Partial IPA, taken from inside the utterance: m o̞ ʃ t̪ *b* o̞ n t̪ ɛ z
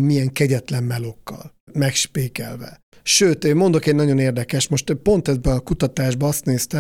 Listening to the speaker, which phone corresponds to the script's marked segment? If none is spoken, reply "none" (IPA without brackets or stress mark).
p